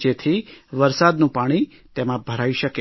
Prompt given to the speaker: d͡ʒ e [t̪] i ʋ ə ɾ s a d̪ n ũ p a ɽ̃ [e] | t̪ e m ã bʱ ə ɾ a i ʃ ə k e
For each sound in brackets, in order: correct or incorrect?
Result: incorrect: t̪ʰ, incorrect: i

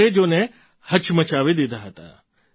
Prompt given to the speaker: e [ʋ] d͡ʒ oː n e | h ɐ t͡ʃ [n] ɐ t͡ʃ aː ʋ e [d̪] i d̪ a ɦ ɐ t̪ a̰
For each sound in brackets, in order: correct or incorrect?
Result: incorrect: none, incorrect: m, correct

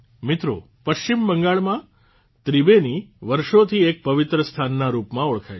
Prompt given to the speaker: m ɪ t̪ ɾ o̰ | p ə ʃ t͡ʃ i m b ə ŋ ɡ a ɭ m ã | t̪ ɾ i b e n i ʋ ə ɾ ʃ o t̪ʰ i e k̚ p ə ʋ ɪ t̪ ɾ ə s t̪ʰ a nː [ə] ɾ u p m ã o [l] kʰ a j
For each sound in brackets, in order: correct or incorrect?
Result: incorrect: a, incorrect: ɭ

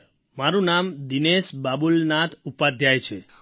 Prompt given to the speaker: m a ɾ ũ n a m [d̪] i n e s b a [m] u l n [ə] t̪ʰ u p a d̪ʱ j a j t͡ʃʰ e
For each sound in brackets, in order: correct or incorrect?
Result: correct, incorrect: b, incorrect: a

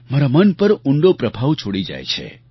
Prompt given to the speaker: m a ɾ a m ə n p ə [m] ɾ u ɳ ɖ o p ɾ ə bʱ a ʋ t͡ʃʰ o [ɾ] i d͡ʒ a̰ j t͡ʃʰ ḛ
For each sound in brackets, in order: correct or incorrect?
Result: incorrect: none, incorrect: ɽ

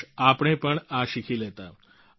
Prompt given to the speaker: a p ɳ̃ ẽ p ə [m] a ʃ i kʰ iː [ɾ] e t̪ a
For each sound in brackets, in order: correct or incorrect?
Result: incorrect: ɳ, incorrect: l

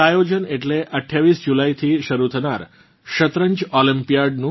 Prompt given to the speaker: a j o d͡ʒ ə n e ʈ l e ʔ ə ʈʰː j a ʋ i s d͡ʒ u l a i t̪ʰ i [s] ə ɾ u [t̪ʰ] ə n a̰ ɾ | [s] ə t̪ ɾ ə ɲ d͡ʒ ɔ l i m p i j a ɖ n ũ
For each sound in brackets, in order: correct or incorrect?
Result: incorrect: ʃ, correct, incorrect: ʃ

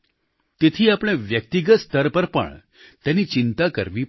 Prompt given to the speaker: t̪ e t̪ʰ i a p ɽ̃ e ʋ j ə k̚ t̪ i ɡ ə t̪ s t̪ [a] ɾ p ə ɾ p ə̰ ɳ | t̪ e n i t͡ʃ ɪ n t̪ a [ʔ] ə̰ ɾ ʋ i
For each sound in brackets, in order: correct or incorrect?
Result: incorrect: ə, incorrect: k

